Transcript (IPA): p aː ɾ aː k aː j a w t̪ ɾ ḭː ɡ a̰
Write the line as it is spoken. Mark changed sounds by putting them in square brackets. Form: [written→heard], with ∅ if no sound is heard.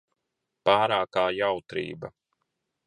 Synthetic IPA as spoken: p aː ɾ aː k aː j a w t̪ ɾ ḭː [ɡ→b] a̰